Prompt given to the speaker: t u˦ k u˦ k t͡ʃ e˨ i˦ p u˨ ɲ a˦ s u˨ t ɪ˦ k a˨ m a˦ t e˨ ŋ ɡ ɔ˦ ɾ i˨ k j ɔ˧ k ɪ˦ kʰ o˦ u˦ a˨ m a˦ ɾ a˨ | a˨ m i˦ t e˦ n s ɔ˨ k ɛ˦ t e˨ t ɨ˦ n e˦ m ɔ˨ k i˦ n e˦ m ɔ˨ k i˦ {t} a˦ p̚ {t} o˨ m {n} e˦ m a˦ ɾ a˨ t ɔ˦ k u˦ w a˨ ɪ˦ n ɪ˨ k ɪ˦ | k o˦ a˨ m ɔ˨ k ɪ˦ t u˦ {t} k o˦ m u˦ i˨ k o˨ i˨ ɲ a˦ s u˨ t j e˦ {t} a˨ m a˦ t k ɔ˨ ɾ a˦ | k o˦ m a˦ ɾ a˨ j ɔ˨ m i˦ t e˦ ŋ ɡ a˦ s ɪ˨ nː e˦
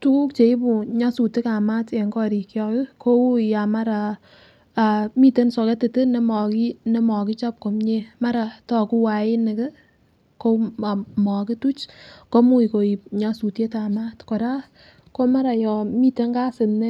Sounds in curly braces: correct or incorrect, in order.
incorrect: t͡ʃ, incorrect: k, incorrect: ɲ, incorrect: t͡ʃ, correct

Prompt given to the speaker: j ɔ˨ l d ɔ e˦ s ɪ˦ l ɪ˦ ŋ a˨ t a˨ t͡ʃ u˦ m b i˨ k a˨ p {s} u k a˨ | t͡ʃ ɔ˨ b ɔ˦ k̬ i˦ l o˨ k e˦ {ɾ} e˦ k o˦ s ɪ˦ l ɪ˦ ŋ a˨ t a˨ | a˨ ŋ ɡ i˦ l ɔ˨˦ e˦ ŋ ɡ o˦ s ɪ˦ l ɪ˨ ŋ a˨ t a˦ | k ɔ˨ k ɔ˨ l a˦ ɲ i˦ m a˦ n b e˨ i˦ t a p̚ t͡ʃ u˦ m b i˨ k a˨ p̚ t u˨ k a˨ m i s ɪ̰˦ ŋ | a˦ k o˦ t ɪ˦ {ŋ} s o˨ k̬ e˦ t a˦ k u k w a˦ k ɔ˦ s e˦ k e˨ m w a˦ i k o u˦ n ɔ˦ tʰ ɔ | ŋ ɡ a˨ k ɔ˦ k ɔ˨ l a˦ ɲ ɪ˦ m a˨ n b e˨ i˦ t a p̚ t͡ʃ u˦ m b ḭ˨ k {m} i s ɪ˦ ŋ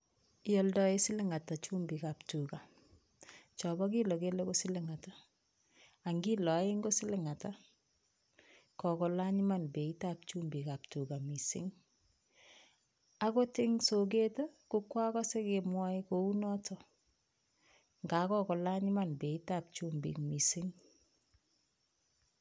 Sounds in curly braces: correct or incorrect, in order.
incorrect: t, incorrect: l, correct, correct

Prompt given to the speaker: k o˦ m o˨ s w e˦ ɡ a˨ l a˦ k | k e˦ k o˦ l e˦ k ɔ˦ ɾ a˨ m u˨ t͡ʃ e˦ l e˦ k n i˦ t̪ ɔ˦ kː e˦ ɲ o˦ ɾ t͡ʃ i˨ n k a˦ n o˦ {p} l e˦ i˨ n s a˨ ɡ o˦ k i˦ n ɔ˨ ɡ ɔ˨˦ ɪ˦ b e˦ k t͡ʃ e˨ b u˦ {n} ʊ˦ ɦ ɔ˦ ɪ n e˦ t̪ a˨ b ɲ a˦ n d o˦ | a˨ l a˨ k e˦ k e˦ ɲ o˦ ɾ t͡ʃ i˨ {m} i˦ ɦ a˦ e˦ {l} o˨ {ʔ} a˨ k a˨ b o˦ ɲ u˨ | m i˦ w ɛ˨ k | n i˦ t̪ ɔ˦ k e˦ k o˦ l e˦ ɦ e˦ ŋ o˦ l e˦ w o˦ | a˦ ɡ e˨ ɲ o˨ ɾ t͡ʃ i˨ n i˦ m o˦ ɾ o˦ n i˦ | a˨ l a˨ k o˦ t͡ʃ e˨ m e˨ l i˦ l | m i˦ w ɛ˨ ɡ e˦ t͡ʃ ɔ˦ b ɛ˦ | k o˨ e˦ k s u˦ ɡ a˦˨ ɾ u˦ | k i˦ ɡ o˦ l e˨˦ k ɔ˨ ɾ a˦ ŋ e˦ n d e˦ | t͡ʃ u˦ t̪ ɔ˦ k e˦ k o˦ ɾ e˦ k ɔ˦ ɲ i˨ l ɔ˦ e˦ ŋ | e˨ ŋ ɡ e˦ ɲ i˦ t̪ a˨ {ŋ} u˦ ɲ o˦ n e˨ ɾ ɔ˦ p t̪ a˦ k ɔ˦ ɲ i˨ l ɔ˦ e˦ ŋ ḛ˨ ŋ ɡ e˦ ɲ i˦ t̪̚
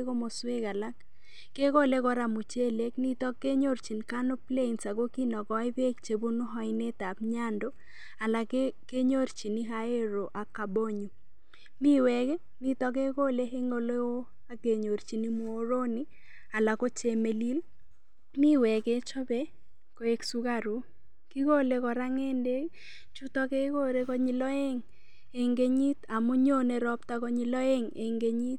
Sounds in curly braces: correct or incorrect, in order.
correct, correct, incorrect: n, incorrect: ɾ, correct, incorrect: m

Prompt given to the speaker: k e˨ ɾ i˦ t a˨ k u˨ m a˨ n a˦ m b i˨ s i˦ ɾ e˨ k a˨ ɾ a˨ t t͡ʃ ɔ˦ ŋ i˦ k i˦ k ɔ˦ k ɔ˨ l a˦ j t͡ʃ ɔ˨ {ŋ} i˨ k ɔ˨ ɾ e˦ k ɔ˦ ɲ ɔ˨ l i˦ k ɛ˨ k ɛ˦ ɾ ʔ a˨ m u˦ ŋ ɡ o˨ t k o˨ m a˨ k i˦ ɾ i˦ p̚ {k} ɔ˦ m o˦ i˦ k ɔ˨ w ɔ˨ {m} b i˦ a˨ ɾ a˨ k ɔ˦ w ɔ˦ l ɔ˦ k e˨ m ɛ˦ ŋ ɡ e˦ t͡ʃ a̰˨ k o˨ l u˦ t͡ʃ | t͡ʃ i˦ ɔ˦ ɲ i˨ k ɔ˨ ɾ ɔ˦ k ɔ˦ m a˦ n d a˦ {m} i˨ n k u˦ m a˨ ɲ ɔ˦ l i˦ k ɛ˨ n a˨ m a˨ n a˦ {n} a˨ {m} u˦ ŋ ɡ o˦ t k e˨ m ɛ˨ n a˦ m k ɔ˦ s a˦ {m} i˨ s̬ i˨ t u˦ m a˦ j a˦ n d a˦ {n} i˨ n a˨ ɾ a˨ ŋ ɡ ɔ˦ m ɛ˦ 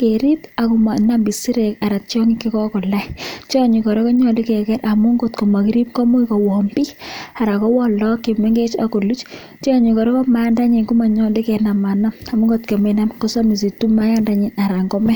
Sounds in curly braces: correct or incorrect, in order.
incorrect: ɲ, correct, correct, incorrect: ɲ, incorrect: m, correct, correct, incorrect: ɲ

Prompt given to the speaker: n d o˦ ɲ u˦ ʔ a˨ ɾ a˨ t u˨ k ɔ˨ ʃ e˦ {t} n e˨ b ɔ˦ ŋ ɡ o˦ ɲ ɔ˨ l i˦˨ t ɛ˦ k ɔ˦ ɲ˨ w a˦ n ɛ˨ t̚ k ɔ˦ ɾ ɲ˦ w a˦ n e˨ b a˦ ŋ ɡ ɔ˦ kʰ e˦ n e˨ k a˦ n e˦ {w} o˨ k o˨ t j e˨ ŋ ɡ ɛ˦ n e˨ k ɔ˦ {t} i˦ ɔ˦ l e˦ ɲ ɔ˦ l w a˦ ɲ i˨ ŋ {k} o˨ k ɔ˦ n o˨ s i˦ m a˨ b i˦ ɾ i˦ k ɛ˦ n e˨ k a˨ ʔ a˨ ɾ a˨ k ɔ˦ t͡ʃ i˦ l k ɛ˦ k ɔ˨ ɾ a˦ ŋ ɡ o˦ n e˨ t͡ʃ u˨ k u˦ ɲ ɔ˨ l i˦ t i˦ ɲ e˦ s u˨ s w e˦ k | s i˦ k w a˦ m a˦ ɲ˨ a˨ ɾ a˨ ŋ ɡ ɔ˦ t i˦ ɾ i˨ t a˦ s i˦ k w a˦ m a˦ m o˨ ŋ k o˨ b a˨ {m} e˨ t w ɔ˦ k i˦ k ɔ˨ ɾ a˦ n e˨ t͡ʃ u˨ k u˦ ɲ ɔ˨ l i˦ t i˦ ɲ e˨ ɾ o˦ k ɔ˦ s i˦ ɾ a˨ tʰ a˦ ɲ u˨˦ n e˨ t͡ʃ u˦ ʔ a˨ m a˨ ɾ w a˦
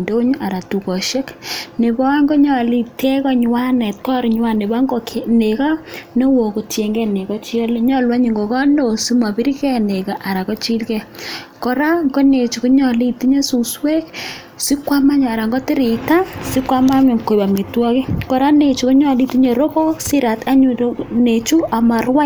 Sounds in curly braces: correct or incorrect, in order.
incorrect: k, correct, incorrect: t͡ʃ, incorrect: ɡ, correct

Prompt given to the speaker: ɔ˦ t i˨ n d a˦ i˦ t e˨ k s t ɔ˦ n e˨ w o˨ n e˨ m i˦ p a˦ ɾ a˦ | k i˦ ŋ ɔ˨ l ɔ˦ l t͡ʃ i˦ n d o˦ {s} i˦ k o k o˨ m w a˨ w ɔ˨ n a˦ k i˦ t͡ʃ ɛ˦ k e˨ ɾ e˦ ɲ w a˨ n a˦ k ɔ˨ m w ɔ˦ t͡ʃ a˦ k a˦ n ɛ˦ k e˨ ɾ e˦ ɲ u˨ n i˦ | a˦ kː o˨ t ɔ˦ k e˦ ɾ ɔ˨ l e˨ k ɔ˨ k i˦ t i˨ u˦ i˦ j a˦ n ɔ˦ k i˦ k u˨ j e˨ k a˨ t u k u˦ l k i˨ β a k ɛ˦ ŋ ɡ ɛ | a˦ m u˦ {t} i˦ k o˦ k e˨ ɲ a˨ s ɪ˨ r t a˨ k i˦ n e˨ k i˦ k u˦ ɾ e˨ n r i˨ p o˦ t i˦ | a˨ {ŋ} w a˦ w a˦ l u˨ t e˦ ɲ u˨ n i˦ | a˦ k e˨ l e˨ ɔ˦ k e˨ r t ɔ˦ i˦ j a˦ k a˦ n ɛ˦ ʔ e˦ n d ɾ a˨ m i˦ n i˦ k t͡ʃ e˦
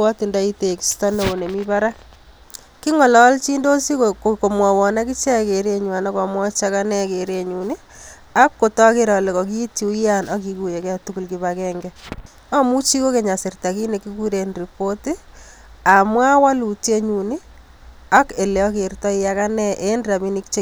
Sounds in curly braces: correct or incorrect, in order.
correct, incorrect: t͡ʃ, incorrect: m

